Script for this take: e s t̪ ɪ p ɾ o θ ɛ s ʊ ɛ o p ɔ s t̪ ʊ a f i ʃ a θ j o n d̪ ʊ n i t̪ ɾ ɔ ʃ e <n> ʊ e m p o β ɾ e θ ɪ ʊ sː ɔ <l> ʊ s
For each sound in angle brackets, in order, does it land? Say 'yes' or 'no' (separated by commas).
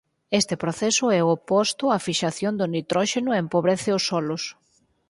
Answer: yes, yes